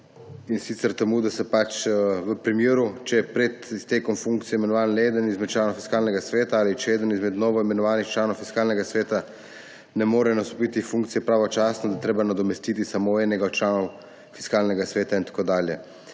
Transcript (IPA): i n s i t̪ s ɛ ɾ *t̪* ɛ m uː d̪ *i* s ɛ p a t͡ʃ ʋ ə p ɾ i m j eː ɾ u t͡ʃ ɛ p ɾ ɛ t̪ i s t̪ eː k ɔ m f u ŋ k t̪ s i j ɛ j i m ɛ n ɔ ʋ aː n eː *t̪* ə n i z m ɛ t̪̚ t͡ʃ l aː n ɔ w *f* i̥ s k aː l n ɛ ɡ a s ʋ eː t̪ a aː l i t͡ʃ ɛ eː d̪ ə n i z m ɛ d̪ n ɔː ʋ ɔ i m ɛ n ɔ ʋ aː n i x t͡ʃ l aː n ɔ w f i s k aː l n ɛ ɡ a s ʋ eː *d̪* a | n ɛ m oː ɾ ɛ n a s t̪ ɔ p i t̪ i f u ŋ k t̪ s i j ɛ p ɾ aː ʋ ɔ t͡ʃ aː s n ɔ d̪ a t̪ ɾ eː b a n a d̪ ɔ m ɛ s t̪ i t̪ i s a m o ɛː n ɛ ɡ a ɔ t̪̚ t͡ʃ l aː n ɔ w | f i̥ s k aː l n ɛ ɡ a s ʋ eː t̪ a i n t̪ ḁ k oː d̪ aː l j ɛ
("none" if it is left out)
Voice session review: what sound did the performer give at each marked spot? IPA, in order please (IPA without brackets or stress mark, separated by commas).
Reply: t̪, a, d̪, f, t̪